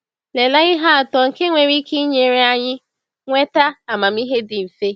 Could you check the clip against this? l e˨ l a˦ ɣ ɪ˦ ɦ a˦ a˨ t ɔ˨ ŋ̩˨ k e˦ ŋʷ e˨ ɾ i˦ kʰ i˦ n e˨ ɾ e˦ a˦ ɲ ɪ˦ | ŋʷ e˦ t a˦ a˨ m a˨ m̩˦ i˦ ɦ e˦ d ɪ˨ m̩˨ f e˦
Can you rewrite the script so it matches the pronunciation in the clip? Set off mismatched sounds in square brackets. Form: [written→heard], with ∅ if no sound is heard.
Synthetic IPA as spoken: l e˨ l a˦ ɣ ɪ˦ ɦ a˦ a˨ t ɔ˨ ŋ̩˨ k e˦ ŋʷ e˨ ɾ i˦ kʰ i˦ [n→ɲ] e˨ ɾ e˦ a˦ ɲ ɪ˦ | ŋʷ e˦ t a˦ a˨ m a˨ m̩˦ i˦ ɦ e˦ d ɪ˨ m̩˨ f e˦

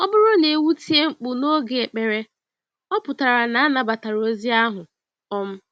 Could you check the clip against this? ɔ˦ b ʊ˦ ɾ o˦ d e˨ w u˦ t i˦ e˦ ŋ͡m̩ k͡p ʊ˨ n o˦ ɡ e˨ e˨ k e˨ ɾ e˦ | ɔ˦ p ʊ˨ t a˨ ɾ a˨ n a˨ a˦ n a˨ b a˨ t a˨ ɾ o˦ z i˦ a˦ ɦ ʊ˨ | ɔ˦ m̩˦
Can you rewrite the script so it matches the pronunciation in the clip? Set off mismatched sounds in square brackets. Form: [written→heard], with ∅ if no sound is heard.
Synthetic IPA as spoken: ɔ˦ b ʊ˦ ɾ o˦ [d→n] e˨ w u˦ t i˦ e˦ ŋ͡m̩ k͡p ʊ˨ n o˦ ɡ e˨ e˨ [k→k͡p] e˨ ɾ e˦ | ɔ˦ p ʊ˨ t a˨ ɾ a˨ n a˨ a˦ n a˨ b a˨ t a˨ ɾ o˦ z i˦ a˦ ɦ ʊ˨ | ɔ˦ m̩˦

